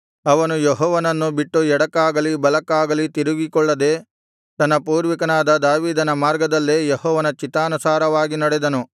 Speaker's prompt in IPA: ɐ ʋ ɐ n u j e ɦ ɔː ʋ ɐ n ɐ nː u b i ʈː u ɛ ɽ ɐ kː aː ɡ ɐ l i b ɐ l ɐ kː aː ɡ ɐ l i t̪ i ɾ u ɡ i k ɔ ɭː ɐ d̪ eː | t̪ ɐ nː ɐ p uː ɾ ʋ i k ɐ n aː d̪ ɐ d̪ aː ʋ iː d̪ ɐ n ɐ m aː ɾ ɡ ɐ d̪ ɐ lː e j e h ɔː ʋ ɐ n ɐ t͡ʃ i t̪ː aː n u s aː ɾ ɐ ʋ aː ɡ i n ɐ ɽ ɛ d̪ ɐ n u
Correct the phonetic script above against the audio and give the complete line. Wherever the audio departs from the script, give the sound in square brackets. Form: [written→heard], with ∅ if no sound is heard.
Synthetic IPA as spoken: ɐ ʋ ɐ n u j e ɦ ɔː ʋ ɐ n ɐ nː u b i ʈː u ɛ ɽ ɐ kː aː ɡ ɐ l i b ɐ l ɐ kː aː ɡ ɐ l i t̪ i ɾ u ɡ i k ɔ ɭː ɐ d̪ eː | t̪ ɐ nː ɐ p uː ɾ ʋ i k ɐ n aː d̪ ɐ d̪ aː ʋ iː d̪ ɐ n ɐ m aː ɾ ɡ ɐ d̪ ɐ lː e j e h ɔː ʋ ɐ n ɐ t͡ʃ i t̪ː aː n u s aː ɾ ɐ ʋ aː ɡ i n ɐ ɽ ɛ d̪ ɐ n u